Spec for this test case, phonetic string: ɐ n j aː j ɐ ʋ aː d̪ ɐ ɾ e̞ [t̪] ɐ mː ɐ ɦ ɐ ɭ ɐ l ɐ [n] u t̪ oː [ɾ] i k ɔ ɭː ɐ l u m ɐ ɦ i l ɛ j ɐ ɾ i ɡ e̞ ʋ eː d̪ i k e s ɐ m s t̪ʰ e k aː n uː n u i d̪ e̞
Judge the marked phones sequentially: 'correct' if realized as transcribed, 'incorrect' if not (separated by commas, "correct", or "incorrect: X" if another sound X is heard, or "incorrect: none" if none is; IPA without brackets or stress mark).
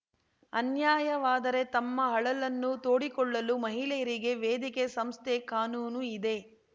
correct, incorrect: nː, incorrect: ɽ